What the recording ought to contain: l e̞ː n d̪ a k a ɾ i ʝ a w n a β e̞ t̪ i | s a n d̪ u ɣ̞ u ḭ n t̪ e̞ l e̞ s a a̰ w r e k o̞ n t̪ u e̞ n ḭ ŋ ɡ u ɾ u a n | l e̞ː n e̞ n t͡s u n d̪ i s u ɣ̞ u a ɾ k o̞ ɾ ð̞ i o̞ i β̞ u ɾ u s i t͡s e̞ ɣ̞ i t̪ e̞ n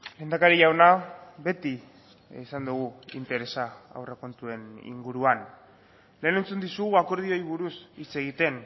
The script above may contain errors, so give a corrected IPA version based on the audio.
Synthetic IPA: l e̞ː n d̪ a k a ɾ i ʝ a w n a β e̞ t̪ i | s a n d̪ u ɣ̞ u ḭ n t̪ e̞ ɾ e̞ s a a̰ w r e k o̞ n t̪ u e̞ n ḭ ŋ ɡ u ɾ u a n | l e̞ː n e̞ n t͡s u n d̪ i s u ɣ̞ u a k o̞ ɾ ð̞ i o̞ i β̞ u ɾ u s i t͡s e̞ ɣ̞ i t̪ e̞ n